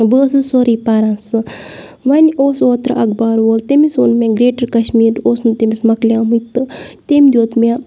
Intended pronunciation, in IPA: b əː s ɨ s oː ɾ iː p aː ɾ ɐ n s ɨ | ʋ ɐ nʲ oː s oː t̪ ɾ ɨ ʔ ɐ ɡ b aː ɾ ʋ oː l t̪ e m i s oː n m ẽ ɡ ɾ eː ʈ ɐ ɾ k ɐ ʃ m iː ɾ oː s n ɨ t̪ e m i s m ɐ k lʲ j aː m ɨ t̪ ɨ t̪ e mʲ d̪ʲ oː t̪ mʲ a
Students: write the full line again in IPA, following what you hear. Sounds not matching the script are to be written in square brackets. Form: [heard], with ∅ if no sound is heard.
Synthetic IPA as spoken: b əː s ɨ s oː ɾ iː p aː ɾ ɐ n s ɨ | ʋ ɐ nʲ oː s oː t̪ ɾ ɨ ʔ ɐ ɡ b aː ɾ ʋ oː l t̪ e m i s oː n m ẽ ɡ ɾ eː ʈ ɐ ɾ k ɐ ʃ m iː ɾ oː s n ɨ t̪ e m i s m ɐ k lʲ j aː m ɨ t̪ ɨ t̪ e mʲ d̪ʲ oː t̪ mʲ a